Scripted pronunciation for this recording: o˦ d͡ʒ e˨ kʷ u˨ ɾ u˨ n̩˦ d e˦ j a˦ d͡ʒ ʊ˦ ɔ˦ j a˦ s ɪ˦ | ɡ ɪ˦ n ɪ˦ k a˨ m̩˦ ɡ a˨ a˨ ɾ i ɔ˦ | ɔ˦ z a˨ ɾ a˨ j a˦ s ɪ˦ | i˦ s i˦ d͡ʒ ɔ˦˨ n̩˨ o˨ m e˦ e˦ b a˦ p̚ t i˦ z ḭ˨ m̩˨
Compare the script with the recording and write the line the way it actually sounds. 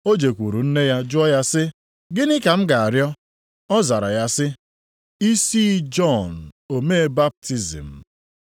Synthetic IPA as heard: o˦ d͡ʒ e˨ kʷ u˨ ɾ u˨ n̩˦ n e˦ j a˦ d͡ʒ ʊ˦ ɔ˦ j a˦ s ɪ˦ | ɡ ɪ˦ n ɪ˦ k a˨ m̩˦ ɡ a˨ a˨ ɾ j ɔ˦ | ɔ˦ z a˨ ɾ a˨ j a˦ s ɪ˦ | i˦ s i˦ d͡ʒ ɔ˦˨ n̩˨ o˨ m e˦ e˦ b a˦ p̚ t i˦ z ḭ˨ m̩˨